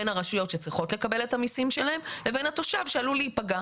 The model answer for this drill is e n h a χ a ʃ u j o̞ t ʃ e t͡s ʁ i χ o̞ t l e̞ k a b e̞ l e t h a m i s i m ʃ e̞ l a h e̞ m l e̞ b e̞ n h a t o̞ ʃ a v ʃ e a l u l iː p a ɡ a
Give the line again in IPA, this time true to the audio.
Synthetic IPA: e n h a ʁ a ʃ u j o̞ t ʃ e t͡s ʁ i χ o̞ t l e̞ k a b e̞ l e t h a m i s i m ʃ e̞ l a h e̞ m l e̞ v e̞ n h a t o̞ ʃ a v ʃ e a l u l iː p a ɡ a

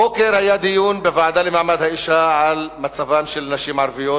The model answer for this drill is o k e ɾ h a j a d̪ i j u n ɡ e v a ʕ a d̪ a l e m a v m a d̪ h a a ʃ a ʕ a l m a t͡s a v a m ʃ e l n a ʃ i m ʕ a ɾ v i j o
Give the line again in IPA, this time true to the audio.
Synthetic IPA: o k e ɾ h a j a d̪ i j u n b e v a ʕ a d̪ a l e m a ʕ m a d̪ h a i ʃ a ʕ a l m a t͡s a v a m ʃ e l n a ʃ i m ʕ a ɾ v i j o

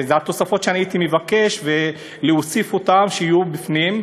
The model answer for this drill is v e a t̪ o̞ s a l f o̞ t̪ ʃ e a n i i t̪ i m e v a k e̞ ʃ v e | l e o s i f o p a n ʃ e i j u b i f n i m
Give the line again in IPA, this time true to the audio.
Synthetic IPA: z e a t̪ o̞ s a f o̞ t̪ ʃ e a n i i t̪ i m e v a k e̞ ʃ v e | l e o s i f o t a m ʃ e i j u b i f n i m

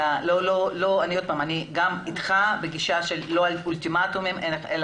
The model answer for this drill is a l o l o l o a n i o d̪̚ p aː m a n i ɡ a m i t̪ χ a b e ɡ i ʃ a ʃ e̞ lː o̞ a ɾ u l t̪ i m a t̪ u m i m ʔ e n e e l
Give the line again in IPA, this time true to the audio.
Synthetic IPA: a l o l o l o a n i o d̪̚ p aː m a n i ɡ a m i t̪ χ a b e ɡ i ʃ a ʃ e̞ lː o̞ a l u l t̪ i m a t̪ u m i m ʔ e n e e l

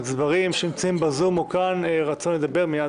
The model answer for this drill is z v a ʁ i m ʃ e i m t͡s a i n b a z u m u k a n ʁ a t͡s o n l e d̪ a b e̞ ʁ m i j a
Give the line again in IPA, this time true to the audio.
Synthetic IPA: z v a ʁ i m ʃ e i m t͡s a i m b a z u m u k a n ʁ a t͡s o n l e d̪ a b e̞ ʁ m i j a

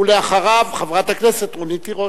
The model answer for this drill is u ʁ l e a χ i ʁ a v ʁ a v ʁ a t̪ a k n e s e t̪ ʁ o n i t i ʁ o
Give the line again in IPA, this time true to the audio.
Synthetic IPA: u l e a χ a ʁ a v χ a v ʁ a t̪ a k n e s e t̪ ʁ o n i t i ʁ o

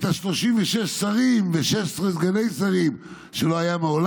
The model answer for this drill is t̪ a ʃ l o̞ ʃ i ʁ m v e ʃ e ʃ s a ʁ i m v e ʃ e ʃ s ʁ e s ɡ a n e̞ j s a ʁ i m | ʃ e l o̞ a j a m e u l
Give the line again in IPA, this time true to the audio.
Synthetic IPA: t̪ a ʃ l o̞ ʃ i m v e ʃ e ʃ s a ʁ i m v e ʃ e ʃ s ʁ e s ɡ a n e̞ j s a ʁ i m | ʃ e l o̞ a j a m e o l

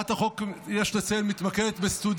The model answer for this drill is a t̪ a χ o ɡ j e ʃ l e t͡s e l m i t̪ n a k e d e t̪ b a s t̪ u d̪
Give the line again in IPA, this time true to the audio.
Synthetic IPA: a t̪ a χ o k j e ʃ l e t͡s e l m i t̪ m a k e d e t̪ b e s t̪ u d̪

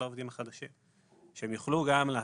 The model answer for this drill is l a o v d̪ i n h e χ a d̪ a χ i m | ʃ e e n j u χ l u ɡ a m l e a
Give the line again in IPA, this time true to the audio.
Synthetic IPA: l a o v d̪ i m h a χ a d̪ a ʃ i m | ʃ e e m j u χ l u ɡ a m l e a

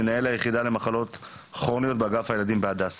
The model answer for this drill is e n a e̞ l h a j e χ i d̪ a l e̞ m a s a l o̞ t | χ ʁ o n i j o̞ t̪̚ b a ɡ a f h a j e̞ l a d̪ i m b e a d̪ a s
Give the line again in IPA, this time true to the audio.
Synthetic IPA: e n a e̞ l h a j e χ i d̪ a l e̞ m a χ a l o̞ t | χ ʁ o n i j o̞ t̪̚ b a ɡ a f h a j e̞ l a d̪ i m b e a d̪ a s

